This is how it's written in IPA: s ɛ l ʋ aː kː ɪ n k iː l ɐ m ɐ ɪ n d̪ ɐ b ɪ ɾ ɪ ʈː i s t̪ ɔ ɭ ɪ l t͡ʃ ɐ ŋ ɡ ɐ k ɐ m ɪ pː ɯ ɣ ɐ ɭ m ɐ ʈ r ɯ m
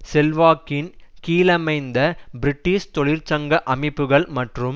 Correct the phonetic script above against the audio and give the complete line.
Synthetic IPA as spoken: s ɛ l ʋ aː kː ɪ n k iː l ɐ m ɐ ɪ n d̪ ɐ b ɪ ɾ ɪ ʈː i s t̪ ɔ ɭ ɪ ɾ t͡ʃ ɐ ŋ ɡ ɐ ʔ ɐ m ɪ pː ɯ ɣ ɐ ɭ m ɐ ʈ r ɯ m